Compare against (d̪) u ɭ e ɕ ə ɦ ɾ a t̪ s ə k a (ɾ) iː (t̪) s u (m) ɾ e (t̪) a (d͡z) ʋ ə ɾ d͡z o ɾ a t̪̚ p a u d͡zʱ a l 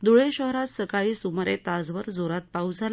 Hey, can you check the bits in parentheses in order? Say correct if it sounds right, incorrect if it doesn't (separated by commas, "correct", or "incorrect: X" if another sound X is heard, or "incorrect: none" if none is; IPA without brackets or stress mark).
correct, incorrect: ɭ, incorrect: none, correct, correct, correct